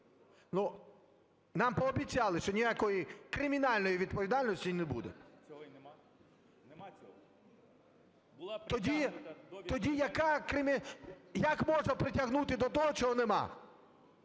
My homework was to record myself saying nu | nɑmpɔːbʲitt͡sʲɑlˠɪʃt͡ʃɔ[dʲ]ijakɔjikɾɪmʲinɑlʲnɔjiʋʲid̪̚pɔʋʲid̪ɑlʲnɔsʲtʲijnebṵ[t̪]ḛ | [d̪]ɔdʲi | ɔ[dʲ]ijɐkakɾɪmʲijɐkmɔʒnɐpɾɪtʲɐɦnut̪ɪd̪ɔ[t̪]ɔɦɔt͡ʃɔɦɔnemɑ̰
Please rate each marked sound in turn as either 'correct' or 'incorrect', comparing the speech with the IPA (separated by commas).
incorrect, incorrect, incorrect, correct, correct